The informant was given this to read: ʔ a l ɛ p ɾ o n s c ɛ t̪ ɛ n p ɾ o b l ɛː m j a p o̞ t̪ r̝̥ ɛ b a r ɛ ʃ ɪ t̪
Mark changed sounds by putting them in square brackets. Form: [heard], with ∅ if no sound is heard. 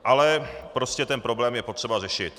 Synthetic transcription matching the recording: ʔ a l ɛ p ɾ o [∅] s c ɛ t̪ ɛ n p ɾ o b l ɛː m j [ɛ] p o̞ t̪ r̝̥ ɛ b a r ɛ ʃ ɪ t̪

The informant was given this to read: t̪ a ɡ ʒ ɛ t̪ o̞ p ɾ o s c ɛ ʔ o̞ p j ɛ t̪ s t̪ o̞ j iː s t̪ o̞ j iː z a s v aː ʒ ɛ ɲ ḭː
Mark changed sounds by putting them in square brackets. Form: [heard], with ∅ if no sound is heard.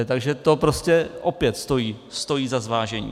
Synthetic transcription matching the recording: t̪ a ɡ ʒ ɛ t̪ o̞ p ɾ o s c ɛ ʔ o̞ p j ɛ t̪ s t̪ o̞ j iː s t̪ o̞ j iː z a [z] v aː ʒ ɛ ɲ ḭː

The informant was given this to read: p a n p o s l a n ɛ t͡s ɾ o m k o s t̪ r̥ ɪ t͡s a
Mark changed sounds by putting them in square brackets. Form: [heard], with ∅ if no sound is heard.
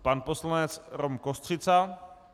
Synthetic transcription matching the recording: p a n p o s l a n ɛ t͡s ɾ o m k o s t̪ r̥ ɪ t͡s a

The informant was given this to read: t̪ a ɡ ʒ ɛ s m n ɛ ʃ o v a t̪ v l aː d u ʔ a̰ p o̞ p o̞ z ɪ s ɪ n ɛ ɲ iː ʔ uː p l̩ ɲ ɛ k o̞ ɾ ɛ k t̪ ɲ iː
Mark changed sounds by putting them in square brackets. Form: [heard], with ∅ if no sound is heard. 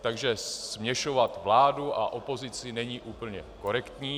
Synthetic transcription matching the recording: t̪ a ɡ ʒ ɛ s m [ɲ] ɛ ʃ o v a t̪ v l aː d u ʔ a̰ [ʔ] o̞ p o̞ z ɪ [t͡s] ɪ n ɛ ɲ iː ʔ uː p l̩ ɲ ɛ k o̞ ɾ ɛ k t̪ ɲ iː

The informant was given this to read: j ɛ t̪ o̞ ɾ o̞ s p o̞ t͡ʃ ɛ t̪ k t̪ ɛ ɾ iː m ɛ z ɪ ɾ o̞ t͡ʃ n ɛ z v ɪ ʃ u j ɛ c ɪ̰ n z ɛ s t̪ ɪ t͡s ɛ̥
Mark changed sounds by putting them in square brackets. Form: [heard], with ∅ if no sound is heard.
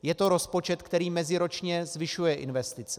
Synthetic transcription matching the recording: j ɛ t̪ o̞ ɾ o̞ s p o̞ t͡ʃ ɛ t̪ k t̪ ɛ ɾ iː m ɛ z ɪ ɾ o̞ t͡ʃ [ɲ] ɛ z v ɪ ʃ u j ɛ [ʔ] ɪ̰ n [v] ɛ s t̪ ɪ t͡s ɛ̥

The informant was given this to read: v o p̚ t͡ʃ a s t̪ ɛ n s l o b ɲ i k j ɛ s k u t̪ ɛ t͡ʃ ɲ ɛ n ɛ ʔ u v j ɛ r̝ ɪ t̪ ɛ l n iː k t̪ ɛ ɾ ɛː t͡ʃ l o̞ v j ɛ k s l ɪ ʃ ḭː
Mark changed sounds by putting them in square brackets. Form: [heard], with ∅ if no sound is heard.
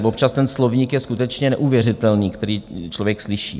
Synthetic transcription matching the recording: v o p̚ t͡ʃ a s t̪ ɛ n s l o [v] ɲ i k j ɛ s k u t̪ ɛ t͡ʃ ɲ ɛ n ɛ ʔ u v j ɛ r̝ ɪ t̪ ɛ l n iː k t̪ ɛ ɾ [iː] t͡ʃ l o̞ v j ɛ k s l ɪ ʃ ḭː

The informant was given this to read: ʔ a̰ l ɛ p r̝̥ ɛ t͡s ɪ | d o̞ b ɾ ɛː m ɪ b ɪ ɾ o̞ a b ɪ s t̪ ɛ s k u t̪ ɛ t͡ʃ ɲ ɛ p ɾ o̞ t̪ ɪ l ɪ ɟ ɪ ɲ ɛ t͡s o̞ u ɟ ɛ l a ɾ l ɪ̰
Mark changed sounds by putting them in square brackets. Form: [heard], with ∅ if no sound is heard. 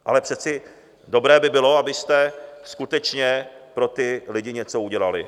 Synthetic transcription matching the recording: ʔ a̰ l ɛ p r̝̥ ɛ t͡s ɪ | d o̞ b ɾ ɛː [b] ɪ b ɪ [l] o̞ a b ɪ s t̪ ɛ s k u t̪ ɛ t͡ʃ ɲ ɛ p ɾ o̞ t̪ ɪ l ɪ ɟ ɪ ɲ ɛ t͡s o̞ u ɟ ɛ l a [∅] l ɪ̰

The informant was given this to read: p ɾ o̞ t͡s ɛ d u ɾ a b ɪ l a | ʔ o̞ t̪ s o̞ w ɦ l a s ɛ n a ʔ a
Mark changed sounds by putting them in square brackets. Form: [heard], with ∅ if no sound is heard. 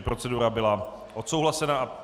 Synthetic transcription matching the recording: p ɾ o̞ t͡s ɛ d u ɾ a b ɪ l a | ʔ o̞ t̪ s o̞ w ɦ l a s ɛ n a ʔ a

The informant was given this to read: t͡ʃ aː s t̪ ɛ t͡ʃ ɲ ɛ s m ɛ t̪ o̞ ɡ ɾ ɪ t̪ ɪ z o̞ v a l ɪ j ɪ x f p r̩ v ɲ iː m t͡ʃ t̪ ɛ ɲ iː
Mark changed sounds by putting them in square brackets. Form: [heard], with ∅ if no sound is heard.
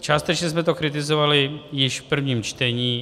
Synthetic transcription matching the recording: t͡ʃ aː s t̪ ɛ t͡ʃ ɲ ɛ s m ɛ t̪ o̞ [k] ɾ ɪ t̪ ɪ z o̞ v a l ɪ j ɪ [ʃ] f p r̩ v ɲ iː m t͡ʃ t̪ ɛ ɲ iː

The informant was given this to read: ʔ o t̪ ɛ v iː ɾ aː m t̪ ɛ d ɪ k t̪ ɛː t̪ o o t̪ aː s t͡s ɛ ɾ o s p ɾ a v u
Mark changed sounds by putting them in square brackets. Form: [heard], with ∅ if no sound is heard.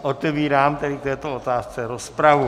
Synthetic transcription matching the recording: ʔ o t̪ ɛ v iː ɾ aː m t̪ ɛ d ɪ k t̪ ɛː t̪ o o t̪ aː s t͡s ɛ ɾ o s p ɾ a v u

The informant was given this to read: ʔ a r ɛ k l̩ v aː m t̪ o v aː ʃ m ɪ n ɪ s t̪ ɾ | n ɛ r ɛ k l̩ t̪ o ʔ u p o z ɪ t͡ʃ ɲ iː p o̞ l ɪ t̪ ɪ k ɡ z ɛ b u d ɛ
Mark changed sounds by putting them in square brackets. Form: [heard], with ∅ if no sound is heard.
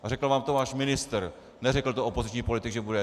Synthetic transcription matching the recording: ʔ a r ɛ k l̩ v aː m t̪ o v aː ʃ m ɪ n ɪ s t̪ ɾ | n ɛ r ɛ k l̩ t̪ o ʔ [o] p o z ɪ t͡ʃ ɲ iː p o̞ l ɪ t̪ ɪ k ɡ [ʒ] ɛ b u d ɛ

